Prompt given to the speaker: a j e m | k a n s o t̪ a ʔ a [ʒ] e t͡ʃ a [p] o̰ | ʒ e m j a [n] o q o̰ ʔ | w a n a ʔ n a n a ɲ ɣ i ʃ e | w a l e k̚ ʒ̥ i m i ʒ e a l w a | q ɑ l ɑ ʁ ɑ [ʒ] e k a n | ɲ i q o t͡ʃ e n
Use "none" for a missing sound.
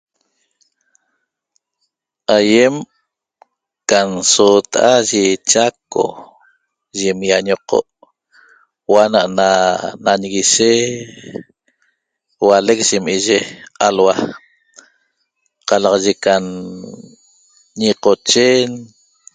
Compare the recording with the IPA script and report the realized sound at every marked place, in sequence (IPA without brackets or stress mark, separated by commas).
ʒ, k, ɲ, ʒ